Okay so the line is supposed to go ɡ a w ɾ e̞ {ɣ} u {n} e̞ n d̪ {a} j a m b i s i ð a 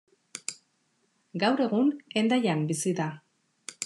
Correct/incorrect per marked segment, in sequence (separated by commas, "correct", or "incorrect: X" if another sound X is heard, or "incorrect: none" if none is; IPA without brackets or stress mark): correct, correct, correct